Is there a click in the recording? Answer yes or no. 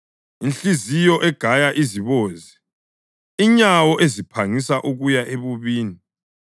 no